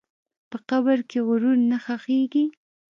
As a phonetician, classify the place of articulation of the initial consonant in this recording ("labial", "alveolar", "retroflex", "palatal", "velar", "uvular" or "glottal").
labial